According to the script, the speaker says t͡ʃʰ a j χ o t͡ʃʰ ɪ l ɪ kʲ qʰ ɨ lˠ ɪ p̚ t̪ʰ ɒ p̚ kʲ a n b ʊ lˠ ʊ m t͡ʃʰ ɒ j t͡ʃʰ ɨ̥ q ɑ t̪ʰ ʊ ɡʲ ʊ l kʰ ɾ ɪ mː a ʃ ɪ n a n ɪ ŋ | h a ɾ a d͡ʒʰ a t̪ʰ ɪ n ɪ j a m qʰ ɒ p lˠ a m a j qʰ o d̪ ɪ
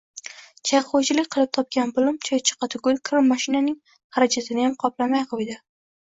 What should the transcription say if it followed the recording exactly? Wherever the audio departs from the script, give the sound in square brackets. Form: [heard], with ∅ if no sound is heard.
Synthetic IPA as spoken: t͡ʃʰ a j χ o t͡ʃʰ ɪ l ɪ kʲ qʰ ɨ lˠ ɪ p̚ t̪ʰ ɒ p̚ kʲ a n b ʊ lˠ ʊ m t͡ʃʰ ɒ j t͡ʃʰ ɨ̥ q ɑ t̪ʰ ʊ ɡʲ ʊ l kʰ ɾ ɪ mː a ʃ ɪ n a n ɪ ŋ | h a ɾ a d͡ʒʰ a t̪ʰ ɪ n ɪ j a m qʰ ɒ p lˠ a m a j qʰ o d̪ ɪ